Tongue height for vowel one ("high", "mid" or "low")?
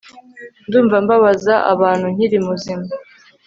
high